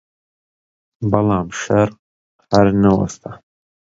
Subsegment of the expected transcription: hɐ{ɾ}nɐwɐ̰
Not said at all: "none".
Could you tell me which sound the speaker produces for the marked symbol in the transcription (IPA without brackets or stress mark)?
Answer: ɾ